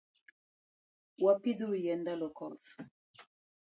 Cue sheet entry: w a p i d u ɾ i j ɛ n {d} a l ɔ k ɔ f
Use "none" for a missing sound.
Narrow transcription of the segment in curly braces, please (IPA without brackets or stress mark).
d